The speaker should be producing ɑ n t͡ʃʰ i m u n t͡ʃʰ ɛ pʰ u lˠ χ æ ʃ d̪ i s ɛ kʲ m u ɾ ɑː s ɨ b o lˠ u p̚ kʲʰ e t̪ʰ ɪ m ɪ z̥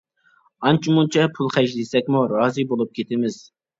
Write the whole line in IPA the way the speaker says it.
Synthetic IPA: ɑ n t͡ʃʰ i m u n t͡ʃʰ ɛ pʰ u lˠ χ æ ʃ d̪ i s ɛ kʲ m u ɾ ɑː z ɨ b o lˠ u p̚ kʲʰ e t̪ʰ ɪ m ɪ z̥